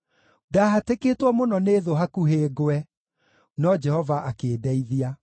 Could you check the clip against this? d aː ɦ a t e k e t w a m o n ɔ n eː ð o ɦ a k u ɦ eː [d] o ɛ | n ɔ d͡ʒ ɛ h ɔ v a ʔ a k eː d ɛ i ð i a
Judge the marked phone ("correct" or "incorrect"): incorrect